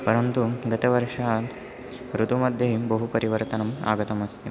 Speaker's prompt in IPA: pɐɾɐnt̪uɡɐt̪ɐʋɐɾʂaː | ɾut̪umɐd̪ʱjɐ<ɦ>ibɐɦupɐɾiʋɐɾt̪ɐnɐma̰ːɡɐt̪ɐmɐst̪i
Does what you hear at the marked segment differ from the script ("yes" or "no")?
no